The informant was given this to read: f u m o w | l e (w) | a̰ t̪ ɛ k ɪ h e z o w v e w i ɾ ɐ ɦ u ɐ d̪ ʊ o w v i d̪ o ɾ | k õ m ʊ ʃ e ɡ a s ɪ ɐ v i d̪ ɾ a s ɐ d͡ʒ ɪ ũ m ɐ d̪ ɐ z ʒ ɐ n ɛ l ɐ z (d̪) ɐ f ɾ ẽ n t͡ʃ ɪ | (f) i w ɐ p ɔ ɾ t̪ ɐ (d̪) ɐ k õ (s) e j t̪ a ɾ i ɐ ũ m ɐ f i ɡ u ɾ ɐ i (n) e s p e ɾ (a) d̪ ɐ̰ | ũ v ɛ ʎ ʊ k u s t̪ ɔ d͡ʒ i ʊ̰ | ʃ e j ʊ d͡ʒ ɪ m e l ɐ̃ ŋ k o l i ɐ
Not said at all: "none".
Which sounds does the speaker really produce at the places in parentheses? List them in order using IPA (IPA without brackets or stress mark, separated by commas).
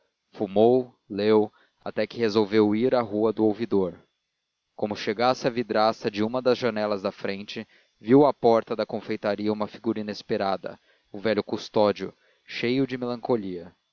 w, d̪, v, d̪, f, n, a